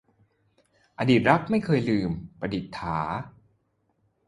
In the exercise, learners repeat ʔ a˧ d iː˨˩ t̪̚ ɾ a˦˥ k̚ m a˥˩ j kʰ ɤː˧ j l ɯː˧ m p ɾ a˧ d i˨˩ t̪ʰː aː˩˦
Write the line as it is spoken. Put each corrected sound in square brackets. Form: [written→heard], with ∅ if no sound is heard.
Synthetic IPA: ʔ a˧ d iː˨˩ t̪̚ ɾ a˦˥ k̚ m a˥˩ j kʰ ɤː˧ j l ɯː˧ m p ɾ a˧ d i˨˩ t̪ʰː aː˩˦